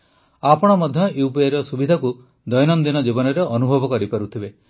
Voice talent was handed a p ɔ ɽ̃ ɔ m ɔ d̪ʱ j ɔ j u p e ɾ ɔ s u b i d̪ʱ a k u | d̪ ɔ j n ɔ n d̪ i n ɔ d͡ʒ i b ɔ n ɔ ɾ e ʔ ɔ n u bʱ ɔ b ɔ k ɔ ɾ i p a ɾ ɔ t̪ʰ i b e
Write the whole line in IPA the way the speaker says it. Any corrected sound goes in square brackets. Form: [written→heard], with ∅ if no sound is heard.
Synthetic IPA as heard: a p ɔ ɽ̃ ɔ m ɔ d̪ʱ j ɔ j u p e ɾ ɔ s u b i d̪ʱ a k u | d̪ ɔ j n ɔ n d̪ i n ɔ d͡ʒ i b ɔ n ɔ ɾ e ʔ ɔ n u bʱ ɔ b ɔ k ɔ ɾ i p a ɾ [ɔ→u] t̪ʰ i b e